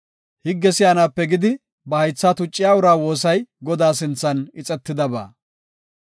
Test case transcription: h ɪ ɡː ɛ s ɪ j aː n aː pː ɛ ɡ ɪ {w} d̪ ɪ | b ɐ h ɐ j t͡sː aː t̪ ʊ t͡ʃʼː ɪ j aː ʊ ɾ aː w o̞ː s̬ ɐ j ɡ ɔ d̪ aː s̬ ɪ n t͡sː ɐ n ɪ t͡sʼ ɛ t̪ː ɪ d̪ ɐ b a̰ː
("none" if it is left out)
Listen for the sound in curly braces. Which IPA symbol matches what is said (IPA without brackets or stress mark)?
none